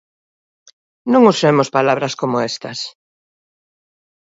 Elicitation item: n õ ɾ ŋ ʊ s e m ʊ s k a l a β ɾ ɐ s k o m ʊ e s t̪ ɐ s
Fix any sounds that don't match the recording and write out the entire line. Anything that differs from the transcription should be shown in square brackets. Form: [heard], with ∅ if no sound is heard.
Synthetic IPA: n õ [∅] ŋ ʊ s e m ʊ s [p] a l a β ɾ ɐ s k o m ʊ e s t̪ ɐ s